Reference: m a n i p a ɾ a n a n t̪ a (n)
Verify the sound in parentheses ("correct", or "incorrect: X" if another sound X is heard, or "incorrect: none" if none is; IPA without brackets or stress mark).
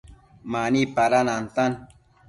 correct